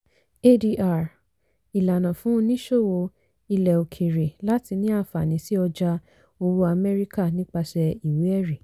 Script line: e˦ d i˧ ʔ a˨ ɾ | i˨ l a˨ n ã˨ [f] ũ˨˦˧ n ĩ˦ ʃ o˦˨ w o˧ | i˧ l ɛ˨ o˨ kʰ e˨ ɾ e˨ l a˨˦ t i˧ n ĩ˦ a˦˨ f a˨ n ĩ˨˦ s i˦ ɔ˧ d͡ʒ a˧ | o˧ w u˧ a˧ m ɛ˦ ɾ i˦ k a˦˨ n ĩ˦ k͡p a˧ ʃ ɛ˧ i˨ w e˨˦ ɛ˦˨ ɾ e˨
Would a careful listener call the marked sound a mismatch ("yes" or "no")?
no